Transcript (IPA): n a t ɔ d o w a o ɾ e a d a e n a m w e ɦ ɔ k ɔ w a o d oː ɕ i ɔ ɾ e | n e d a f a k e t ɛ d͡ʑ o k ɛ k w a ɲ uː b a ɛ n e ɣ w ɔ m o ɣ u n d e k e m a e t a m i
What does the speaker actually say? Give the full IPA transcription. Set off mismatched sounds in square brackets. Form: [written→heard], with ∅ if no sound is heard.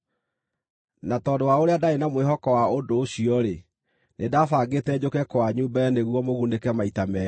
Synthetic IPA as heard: n a t ɔ d o w a o ɾ e a d a e n a m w e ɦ ɔ k ɔ w a o d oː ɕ i ɔ ɾ e | n e d a f a [k→ɡ] e t ɛ d͡ʑ o k ɛ k w a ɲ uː b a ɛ n e ɣ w ɔ m o ɣ u n d e k [e→ɛ] m a [e→i] t a m [i→ɛ]